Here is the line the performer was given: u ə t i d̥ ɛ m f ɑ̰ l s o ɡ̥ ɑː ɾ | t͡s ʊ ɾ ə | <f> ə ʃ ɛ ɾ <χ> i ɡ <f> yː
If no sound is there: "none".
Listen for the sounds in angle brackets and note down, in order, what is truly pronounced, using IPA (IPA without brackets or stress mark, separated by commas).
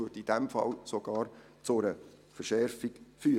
f, f, f